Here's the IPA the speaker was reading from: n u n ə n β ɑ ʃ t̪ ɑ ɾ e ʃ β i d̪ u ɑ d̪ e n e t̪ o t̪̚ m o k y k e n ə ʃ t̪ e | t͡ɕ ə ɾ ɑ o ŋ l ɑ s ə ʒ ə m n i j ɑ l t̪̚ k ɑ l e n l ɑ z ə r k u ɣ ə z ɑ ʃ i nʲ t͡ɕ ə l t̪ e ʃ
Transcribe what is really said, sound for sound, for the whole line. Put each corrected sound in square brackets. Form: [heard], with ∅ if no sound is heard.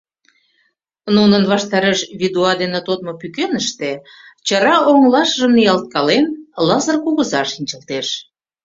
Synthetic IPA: n u n ə n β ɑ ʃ t̪ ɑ ɾ e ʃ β i d̪ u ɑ d̪ e n e t̪ o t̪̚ m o [p] y k e n ə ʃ t̪ e | t͡ɕ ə ɾ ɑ o ŋ l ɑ [ʃ] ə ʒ ə m n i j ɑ l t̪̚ k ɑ l e n l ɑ z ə r k u ɣ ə z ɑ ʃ i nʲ t͡ɕ ə l t̪ e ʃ